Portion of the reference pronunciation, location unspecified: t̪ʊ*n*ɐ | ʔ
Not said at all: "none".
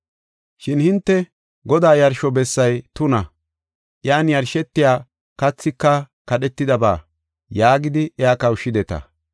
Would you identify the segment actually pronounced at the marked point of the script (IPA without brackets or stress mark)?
n